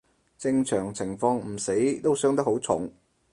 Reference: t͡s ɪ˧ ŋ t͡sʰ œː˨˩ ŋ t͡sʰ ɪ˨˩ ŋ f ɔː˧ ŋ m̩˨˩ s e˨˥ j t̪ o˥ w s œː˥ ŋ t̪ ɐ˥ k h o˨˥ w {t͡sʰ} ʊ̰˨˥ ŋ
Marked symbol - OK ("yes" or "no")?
yes